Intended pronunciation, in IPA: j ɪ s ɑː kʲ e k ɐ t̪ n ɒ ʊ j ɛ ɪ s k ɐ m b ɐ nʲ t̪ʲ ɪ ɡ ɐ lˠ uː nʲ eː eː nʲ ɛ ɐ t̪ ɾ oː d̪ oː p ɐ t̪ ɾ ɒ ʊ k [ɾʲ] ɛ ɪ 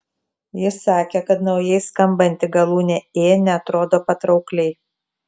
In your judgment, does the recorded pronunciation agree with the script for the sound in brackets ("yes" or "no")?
no